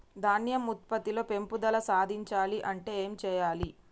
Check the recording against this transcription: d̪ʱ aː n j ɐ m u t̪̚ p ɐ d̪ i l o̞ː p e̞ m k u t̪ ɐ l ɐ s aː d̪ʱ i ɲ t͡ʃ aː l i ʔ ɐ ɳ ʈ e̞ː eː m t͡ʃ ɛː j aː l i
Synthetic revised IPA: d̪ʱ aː n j ɐ m u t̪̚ p ɐ t̪ i l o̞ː p e̞ m p u d̪ ɐ l ɐ s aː d̪ʱ i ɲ t͡ʃ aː l i ʔ ɐ ɳ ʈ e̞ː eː m t͡ʃ ɛː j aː l i